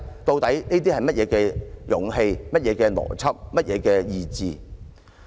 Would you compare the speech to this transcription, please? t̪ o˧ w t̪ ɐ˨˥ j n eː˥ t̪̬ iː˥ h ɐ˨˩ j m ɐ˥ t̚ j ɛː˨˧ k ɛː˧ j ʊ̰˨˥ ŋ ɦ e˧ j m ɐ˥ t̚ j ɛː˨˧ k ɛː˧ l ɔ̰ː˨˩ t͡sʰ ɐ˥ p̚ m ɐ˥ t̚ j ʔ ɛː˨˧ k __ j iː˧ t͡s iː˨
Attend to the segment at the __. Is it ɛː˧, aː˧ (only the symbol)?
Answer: ɛː˧